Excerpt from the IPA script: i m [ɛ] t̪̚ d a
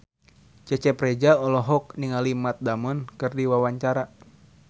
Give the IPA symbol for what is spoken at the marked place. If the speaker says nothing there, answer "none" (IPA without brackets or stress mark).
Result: a